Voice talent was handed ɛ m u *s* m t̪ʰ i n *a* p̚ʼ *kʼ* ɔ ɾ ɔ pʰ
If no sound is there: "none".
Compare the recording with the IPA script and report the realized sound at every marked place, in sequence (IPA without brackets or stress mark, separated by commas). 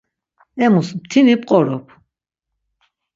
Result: s, i, qʼ